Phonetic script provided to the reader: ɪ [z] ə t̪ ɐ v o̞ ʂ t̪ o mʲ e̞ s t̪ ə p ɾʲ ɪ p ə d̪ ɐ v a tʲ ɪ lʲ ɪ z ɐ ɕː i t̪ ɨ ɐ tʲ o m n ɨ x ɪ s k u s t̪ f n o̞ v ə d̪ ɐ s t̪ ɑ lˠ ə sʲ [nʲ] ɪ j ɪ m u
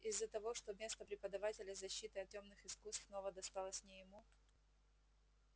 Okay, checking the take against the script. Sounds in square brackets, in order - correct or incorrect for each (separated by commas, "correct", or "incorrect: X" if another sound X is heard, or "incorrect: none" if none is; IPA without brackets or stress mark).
incorrect: zː, correct